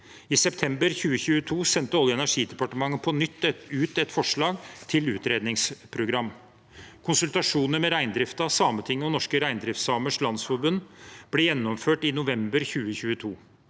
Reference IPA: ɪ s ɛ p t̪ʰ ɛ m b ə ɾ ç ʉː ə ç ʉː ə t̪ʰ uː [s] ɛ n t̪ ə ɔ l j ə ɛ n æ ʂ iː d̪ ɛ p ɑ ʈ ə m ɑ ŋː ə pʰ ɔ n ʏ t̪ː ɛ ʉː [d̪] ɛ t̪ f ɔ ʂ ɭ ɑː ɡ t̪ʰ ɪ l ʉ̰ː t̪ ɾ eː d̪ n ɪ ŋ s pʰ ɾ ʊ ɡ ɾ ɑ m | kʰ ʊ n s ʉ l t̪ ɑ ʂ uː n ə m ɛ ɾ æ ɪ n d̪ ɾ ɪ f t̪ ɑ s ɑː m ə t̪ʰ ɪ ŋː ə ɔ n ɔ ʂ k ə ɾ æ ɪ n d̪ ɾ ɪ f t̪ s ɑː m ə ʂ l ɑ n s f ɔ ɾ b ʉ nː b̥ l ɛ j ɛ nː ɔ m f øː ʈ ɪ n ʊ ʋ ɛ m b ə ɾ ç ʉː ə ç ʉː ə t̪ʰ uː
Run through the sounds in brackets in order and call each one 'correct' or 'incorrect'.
correct, incorrect

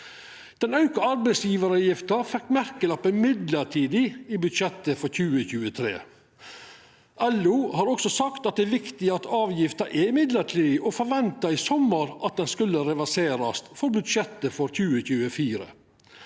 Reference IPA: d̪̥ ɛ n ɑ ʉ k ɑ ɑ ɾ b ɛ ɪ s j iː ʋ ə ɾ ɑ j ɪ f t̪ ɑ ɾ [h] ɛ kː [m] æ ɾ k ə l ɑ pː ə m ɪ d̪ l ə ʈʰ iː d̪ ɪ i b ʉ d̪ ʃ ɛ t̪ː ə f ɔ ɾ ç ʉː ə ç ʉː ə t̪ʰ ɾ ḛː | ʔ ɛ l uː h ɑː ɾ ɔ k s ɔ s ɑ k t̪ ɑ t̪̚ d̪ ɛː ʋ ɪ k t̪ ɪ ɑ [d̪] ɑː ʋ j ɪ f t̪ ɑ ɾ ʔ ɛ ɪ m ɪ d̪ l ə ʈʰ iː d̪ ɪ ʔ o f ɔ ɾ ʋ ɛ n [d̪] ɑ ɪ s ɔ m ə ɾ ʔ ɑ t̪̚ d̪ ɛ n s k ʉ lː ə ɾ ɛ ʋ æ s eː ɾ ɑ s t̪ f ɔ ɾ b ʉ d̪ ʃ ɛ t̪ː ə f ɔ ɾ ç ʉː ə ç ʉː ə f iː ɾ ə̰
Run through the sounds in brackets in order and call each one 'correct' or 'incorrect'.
incorrect, correct, incorrect, incorrect

